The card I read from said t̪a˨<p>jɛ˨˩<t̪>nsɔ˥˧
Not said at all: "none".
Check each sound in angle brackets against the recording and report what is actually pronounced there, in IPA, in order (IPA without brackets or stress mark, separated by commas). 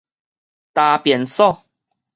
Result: p, none